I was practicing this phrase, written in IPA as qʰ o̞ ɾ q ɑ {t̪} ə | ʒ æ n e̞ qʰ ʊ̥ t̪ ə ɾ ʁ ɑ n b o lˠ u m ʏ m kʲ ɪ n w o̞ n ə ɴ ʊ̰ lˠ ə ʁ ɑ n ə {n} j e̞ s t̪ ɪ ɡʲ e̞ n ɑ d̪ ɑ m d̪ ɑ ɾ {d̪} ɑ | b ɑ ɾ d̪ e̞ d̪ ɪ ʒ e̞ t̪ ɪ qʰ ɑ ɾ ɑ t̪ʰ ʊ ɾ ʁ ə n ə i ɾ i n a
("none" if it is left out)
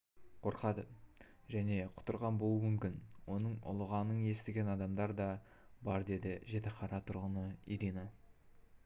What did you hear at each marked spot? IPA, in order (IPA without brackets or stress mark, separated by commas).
d̪, ɴ, d̪